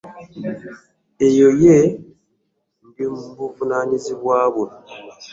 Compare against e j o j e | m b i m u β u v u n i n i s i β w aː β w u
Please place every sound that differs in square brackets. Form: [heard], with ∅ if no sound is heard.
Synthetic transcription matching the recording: e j o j e | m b i m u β u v u n [a] n i [z] i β w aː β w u